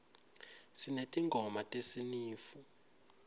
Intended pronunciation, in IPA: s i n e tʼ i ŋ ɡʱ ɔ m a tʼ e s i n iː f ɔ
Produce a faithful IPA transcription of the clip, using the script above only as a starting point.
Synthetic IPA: s i n e tʼ i ŋ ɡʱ ɔ m a tʼ e s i n iː f u

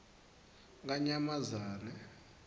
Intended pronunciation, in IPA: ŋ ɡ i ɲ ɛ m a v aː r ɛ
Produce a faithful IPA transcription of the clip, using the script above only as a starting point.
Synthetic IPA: ŋ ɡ a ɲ a m a z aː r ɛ

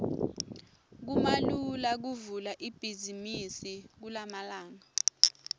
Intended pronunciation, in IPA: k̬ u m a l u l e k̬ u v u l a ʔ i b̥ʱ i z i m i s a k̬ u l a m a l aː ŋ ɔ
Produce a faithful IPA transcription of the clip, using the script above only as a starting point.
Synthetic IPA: k̬ u m a l u l a k̬ u v u l a ʔ i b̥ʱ i z i m i s i k̬ u l a m a l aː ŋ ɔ

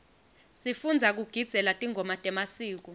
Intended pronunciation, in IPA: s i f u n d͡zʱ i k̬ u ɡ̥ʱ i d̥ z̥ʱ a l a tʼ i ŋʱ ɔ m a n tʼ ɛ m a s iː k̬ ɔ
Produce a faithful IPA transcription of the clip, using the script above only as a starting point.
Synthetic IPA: s i f u n d͡zʱ a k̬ u ɡ̥ʱ i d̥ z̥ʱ ɛ l a tʼ i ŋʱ ɔ m a tʼ ɛ m a s iː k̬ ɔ

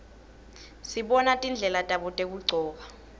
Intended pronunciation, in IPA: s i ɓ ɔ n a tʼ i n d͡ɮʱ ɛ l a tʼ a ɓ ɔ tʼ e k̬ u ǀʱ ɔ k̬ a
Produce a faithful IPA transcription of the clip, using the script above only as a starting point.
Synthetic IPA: s i ɓ ɔ n a tʼ i n d͡ɮʱ ɛ l a tʼ a ɓ ɔ tʼ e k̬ u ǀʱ ɔː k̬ a

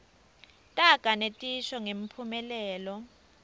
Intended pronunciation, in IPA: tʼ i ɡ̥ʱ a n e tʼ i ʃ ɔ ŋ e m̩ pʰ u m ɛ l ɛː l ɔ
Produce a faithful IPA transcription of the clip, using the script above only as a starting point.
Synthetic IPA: tʼ a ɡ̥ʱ a n e tʼ i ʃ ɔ ŋ e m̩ pʰ u m ɛ l ɛː l ɔ

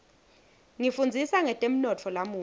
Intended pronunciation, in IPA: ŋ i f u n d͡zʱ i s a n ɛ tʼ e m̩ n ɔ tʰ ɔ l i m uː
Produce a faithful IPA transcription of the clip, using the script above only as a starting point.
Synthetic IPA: ŋ i f u n d͡zʱ i s a ŋ ɛ tʼ e m̩ n ɔ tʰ ɔ l a m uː

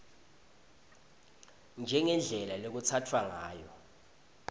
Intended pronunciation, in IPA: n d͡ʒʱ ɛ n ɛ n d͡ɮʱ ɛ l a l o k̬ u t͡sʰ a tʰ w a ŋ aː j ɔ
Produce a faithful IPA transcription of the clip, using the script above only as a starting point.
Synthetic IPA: n d͡ʒʱ ɛ ŋ ɛ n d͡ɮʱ ɛ l a l o k̬ u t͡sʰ a tʰ w a ŋ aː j ɔ

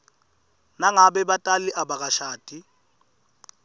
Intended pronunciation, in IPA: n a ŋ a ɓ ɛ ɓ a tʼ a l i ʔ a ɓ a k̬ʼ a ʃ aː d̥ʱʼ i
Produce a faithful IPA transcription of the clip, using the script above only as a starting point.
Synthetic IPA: n a ŋ a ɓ ɛ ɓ a tʼ a l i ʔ a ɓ a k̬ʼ a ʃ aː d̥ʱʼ i

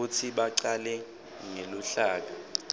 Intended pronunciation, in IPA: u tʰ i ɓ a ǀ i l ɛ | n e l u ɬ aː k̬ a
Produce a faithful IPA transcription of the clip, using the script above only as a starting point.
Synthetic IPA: u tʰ i ɓ a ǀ a l ɛ | ŋ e l u ɬ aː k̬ a

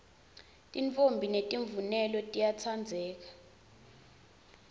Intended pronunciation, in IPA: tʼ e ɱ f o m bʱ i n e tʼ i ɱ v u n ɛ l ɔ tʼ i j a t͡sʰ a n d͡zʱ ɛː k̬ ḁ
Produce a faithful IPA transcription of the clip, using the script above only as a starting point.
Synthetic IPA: tʼ i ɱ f o m bʱ i n e tʼ i ɱ v u n ɛ l ɔ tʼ i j a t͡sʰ a n d͡zʱ ɛː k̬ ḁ

